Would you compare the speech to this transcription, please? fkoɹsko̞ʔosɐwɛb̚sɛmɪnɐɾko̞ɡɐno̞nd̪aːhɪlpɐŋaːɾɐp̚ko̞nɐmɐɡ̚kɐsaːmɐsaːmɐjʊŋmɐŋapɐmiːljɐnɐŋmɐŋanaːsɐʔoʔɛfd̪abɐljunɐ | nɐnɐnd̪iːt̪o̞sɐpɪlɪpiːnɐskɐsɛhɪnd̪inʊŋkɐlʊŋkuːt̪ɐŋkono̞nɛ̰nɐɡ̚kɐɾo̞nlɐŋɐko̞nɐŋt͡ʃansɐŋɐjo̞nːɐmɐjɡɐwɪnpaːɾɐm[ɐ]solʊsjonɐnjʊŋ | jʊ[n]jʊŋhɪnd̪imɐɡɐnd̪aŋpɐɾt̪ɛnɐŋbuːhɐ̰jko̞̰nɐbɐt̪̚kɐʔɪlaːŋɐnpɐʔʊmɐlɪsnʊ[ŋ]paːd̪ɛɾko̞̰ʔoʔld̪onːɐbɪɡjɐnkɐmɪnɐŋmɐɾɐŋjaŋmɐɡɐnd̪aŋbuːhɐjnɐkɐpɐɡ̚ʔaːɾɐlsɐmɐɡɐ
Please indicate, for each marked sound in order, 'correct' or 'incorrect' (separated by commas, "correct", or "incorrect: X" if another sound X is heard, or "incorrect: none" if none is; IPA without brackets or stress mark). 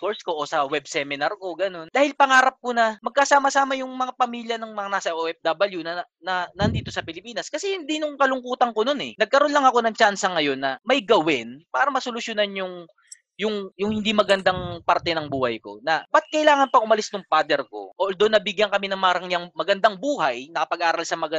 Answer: correct, incorrect: ŋ, correct